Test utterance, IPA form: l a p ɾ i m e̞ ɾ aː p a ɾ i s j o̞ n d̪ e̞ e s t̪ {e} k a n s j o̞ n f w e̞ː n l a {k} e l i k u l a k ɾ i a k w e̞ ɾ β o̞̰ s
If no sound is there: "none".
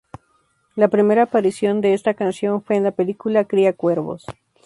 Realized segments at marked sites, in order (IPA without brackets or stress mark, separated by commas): a, p